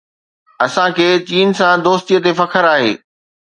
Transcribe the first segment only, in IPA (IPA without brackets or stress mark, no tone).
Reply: ɐ